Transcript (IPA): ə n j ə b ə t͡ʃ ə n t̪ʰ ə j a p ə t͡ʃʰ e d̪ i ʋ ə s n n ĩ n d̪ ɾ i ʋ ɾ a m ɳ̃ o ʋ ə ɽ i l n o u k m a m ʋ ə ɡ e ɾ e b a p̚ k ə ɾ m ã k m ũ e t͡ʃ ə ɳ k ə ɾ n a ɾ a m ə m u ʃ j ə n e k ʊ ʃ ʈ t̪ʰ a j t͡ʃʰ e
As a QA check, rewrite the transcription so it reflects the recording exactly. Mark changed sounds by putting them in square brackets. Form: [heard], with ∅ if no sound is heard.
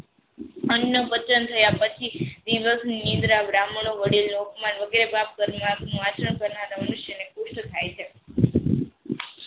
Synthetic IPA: ə n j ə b ə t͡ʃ ə n t̪ʰ ə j a p ə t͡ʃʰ [i] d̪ i ʋ ə s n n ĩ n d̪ ɾ [a] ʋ ɾ a m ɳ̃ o ʋ ə ɽ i l n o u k m a [n] ʋ ə ɡ e ɾ e b a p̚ k ə ɾ m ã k [n] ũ [a] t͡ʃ ə ɳ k ə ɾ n a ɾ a m ə [n] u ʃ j ə n e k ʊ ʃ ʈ t̪ʰ a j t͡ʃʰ e

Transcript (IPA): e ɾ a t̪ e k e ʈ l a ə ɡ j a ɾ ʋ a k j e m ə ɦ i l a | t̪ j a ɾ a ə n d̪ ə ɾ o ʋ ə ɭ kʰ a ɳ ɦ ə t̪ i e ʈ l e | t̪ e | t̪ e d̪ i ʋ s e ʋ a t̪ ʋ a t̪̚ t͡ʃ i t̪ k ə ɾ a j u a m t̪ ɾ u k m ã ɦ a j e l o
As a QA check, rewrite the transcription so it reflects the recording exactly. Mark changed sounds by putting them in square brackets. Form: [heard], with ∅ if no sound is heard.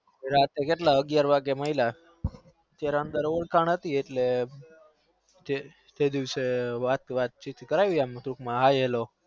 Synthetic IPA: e ɾ a t̪ e k e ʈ l a ə ɡ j a ɾ ʋ a [ɡ] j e m ə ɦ i l a | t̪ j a ɾ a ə n d̪ ə ɾ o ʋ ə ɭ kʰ a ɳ ɦ ə t̪ i e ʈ l e | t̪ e | t̪ e d̪ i ʋ s e ʋ a t̪ ʋ a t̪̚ t͡ʃ i t̪ k ə ɾ a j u a m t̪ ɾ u k m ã ɦ a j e l o

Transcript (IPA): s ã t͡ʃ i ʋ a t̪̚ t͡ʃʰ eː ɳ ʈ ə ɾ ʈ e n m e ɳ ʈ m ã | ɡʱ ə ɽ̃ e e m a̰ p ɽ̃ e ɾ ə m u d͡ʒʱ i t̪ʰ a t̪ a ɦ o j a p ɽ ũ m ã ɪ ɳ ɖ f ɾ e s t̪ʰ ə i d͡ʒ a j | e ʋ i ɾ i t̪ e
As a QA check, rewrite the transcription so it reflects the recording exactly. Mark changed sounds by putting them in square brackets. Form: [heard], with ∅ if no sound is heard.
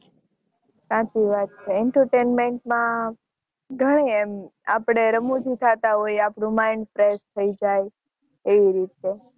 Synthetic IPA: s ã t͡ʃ i ʋ a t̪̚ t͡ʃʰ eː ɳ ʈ ə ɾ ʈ e n m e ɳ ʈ m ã | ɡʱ ə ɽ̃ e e m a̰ p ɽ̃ e ɾ ə m u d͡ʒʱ i t̪ʰ a t̪ a ɦ o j a p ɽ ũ m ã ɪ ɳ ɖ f ɾ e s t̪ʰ ə i d͡ʒ a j | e ʋ i ɾ i t̪ e

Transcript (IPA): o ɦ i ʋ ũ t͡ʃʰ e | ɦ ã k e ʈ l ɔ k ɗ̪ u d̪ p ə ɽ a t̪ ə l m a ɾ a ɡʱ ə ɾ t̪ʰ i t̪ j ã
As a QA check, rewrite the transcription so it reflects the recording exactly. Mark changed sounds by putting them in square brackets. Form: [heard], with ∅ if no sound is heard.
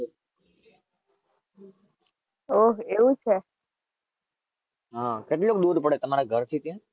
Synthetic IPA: o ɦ [e] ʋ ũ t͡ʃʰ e | ɦ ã k e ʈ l [o] k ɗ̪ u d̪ p ə ɽ [e] t̪ ə [∅] m a ɾ a ɡʱ ə ɾ t̪ʰ i t̪ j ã

